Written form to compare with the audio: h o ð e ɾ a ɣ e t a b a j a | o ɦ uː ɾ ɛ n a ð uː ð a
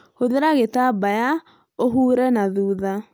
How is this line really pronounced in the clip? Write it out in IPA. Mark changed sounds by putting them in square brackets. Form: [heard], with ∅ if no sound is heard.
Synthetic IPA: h o ð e ɾ a ɣ e t a b a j a | o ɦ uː ɾ ɛ n a ð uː ð a

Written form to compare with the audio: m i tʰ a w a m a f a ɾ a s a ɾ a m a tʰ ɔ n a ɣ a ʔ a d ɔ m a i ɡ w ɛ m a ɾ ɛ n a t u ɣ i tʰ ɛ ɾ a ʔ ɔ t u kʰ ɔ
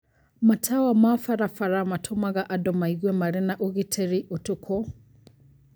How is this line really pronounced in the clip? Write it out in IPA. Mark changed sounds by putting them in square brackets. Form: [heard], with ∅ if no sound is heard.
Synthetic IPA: m [a] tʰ a w a m a f a ɾ a [f] a ɾ a m a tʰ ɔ [m] a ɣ a ʔ a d ɔ m a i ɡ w ɛ m a ɾ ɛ n a [ʔ] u ɣ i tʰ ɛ ɾ [i] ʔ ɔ t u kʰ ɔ

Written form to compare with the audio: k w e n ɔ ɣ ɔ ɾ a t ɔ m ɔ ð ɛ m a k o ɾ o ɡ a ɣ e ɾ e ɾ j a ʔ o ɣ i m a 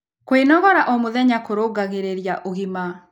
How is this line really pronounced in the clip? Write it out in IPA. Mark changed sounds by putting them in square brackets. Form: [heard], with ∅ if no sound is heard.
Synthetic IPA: k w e n ɔ ɣ ɔ ɾ a [ʔ] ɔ m [o] ð ɛ [ɲ] a k o ɾ o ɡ a ɣ e ɾ e ɾ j a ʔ o ɣ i m a

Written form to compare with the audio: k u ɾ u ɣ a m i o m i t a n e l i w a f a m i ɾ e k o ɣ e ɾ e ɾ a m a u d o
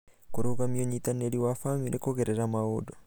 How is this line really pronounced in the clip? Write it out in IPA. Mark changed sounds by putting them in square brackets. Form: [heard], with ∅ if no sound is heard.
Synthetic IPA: k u ɾ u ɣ a m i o [ɲ] i t a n e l i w a f a m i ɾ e k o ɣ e ɾ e ɾ a m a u d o

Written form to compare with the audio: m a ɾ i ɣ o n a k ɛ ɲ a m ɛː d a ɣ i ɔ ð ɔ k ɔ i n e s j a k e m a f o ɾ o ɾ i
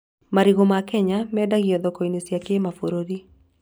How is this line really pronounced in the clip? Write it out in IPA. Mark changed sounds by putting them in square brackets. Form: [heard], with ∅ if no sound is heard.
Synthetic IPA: m a ɾ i ɣ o [m] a k ɛ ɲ a m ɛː d a ɣ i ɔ ð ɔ k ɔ i n e s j a k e m a f o ɾ o ɾ i

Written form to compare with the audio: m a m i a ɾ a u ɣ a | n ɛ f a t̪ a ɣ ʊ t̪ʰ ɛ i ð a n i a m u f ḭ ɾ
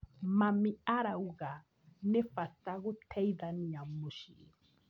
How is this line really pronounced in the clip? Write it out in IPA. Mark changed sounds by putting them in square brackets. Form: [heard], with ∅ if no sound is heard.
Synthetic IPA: m a m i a ɾ a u ɣ a | n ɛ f a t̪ a ɣ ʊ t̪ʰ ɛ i ð a n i a m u [ʃ] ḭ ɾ

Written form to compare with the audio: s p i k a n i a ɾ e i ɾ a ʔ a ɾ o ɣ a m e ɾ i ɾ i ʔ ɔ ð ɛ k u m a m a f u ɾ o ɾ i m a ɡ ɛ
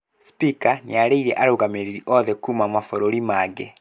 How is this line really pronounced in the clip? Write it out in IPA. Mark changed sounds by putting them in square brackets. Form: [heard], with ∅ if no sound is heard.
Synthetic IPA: s p i k a n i a ɾ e i ɾ [ɛ] ʔ a ɾ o ɣ a m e ɾ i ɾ i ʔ ɔ ð ɛ k u m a m a f [ɔ] ɾ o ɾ i m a ɡ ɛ

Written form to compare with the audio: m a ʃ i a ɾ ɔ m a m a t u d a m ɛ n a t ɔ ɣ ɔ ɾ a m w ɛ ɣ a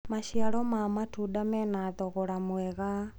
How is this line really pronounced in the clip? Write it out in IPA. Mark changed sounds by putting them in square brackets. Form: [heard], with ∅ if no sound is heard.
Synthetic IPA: m a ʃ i a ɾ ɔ m a m a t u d a m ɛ n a t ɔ ɣ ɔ ɾ a m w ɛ ɣ a

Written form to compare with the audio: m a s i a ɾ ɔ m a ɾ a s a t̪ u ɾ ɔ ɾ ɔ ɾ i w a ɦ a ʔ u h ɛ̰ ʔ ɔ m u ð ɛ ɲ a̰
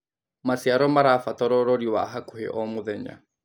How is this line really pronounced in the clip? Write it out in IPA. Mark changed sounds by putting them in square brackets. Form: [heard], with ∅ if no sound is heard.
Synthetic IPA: m a s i a ɾ ɔ m a ɾ a [f] a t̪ [ɔ] ɾ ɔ ɾ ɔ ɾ i w a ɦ a [k] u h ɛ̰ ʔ ɔ m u ð ɛ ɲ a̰

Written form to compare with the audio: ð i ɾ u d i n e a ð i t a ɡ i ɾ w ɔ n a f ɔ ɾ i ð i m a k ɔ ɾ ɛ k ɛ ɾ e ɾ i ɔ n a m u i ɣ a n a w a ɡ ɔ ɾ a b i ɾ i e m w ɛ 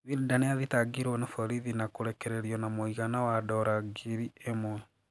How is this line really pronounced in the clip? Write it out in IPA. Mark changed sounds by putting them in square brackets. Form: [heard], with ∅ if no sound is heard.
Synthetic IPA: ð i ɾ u d [a] n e a ð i t a ɡ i ɾ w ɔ n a f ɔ ɾ i ð i [n] a k [o] ɾ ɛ k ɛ ɾ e ɾ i ɔ n a m [o] i ɣ a n a w a [d] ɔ ɾ a [ɡ] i ɾ i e m w ɛ

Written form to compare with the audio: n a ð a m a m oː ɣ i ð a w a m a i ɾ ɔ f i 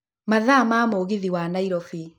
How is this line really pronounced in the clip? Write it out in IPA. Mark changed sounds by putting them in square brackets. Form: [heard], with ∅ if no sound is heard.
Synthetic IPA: [m] a ð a m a m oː ɣ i ð [i] w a [n] a i ɾ ɔ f i

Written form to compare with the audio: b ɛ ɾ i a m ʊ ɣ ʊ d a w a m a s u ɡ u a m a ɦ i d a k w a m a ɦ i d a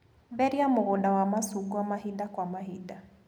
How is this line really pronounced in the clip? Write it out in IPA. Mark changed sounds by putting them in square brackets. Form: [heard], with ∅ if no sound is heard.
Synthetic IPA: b ɛ ɾ i a m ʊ ɣ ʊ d a w a m a s u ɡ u a m a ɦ i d a k w a m a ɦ i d a

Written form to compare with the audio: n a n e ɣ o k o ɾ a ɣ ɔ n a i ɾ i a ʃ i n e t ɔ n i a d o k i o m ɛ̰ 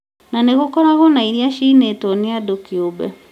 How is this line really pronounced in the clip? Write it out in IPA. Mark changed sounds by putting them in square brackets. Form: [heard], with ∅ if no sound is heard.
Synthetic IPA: n a n e ɣ o k [ɔ] ɾ a ɣ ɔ n a i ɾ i a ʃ i n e t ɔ n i a d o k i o [b] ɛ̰

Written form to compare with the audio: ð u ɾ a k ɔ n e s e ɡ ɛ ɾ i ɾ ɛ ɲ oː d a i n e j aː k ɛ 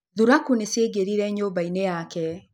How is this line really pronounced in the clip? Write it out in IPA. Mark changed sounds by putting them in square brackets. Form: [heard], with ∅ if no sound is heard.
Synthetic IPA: ð u ɾ a k [u] n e s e ɡ [e] ɾ i ɾ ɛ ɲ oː [b] a i n e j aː k ɛ

